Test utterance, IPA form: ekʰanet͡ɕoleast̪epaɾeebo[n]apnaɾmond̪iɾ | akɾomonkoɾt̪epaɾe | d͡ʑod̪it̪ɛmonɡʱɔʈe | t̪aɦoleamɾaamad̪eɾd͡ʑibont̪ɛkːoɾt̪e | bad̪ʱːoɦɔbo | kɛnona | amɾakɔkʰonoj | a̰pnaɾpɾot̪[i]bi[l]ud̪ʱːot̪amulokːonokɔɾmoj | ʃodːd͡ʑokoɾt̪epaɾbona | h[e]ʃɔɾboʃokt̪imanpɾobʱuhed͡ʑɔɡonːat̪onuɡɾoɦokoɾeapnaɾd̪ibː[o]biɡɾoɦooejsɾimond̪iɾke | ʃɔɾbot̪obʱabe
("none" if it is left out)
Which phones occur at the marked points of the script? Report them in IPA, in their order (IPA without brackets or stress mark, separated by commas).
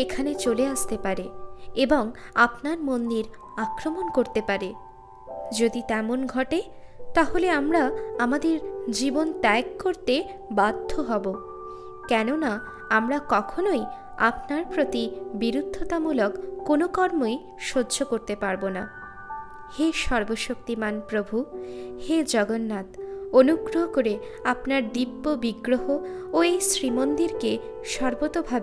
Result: ŋ, i, ɾ, e, o